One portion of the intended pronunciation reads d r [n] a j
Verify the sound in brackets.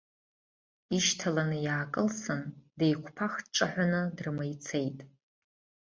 incorrect: m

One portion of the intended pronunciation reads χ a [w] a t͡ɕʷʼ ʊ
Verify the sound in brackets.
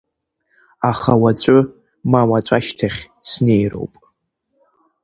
correct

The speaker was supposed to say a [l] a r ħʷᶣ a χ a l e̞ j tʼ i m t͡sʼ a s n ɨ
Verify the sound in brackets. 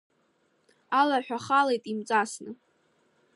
correct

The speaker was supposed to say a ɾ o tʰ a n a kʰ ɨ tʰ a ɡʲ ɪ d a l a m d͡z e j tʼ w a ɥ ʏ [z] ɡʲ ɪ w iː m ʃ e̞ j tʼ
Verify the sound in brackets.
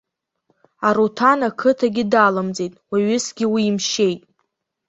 incorrect: s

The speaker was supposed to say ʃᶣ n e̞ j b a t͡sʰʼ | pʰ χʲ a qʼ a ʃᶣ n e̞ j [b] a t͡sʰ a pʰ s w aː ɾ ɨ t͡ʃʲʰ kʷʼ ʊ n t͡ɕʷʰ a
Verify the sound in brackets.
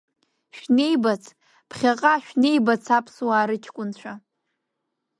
correct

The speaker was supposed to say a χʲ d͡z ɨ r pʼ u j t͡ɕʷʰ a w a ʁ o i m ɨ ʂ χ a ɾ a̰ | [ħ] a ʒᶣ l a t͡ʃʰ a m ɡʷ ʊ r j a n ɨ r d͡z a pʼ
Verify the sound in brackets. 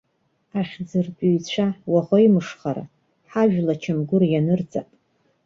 correct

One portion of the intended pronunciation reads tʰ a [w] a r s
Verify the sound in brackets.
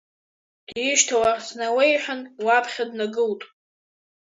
correct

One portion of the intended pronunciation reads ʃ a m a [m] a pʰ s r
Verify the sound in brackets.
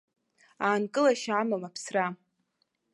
correct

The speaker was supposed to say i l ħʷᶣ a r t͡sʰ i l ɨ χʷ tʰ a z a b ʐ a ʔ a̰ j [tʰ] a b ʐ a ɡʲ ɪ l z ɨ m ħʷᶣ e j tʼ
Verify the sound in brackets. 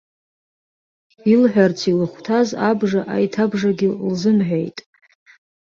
correct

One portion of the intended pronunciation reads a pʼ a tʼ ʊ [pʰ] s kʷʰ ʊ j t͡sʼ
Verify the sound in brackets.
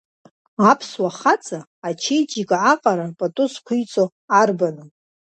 incorrect: none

